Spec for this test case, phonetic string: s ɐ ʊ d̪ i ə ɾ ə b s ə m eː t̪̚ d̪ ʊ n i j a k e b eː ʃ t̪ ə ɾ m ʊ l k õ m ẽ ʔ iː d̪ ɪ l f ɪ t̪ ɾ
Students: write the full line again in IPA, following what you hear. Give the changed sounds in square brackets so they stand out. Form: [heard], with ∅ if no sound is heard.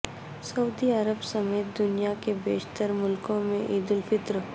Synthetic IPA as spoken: s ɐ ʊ d̪ i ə ɾ ə b s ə m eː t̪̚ d̪ ʊ n i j a k e b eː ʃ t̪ ə ɾ m ʊ l k õ m ẽ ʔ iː d̪ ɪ l f ɪ t̪ ɾ